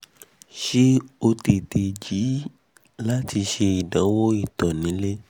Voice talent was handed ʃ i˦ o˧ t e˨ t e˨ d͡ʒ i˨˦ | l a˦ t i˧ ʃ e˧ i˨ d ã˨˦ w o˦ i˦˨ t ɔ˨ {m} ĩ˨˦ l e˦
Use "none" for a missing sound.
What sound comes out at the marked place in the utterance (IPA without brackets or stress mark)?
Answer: n